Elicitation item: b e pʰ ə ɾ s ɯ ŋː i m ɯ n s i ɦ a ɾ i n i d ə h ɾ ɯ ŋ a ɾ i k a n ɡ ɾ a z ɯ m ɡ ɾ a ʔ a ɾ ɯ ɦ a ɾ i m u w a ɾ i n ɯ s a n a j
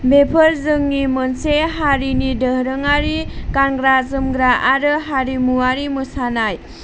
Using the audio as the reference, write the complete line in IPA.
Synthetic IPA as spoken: b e pʰ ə ɾ z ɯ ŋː i m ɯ n s e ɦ a ɾ i n i d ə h ɾ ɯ ŋ a ɾ i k a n ɡ ɾ a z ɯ m ɡ ɾ a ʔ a ɾ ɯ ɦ a ɾ i m u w a ɾ i m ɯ s a n a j